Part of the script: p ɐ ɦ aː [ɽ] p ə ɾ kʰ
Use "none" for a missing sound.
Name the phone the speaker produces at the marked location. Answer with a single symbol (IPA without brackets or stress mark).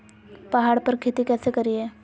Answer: ɽ